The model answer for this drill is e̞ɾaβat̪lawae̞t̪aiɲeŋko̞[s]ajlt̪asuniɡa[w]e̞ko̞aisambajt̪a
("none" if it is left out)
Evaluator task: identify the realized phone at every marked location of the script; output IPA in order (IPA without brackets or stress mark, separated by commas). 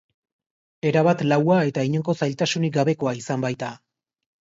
s, β